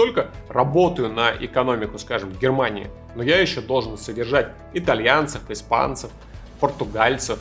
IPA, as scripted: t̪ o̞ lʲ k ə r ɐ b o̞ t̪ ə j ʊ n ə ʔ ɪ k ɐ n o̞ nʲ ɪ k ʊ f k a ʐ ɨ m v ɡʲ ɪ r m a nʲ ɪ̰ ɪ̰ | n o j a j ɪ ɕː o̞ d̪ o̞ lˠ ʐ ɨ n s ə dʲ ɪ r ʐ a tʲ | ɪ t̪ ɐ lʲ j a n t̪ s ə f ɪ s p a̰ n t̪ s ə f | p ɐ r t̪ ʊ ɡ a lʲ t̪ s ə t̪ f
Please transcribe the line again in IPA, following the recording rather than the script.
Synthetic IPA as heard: t̪ o̞ lʲ k ə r ɐ b o̞ t̪ ə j ʊ n ə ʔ ɪ k ɐ n o̞ mʲ ɪ k ʊ s k a ʐ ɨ m v ɡʲ ɪ r m a nʲ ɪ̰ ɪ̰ | n o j a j ɪ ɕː o̞ d̪ o̞ lˠ ʐ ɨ n s ə dʲ ɪ r ʐ a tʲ | ɪ t̪ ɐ lʲ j a n t̪ s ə f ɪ s p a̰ n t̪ s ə f | p ə r t̪ ʊ ɡ a lʲ t̪ s ə f